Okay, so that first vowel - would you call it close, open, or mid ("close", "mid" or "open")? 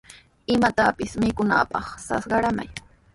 close